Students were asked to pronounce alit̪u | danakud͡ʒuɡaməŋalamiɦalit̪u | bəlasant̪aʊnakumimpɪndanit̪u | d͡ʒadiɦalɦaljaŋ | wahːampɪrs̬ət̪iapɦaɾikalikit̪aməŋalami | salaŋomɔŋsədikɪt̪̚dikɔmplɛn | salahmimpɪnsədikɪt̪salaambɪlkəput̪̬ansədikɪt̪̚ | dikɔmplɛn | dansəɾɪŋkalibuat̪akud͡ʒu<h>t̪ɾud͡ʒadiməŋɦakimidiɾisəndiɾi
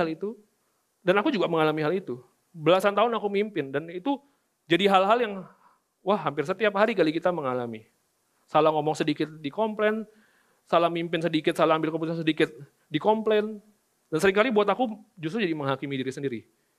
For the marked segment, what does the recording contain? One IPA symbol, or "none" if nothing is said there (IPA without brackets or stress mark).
s